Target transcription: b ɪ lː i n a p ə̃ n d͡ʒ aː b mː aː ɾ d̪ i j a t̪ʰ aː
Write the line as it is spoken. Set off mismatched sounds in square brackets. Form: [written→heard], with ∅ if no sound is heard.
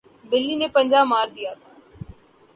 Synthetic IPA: b ɪ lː i n [a→e] p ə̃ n d͡ʒ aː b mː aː ɾ d̪ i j a t̪ʰ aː